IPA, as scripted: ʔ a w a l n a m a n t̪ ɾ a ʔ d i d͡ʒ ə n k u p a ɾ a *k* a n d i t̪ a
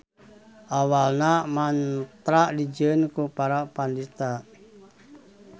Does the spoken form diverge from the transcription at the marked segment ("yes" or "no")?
yes